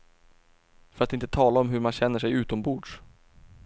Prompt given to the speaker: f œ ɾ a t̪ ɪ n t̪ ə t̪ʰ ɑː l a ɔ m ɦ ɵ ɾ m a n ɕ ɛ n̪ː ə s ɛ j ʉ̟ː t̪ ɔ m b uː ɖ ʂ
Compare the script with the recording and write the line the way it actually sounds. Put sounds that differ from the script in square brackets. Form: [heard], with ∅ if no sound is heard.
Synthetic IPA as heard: f œ ɾ a t̪ ɪ n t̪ ə t̪ʰ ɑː l a ɔ m ɦ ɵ ɾ m a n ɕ ɛ n̪ː ə [ʂ] ɛ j ʉ̟ː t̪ ɔ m b uː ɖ ʂ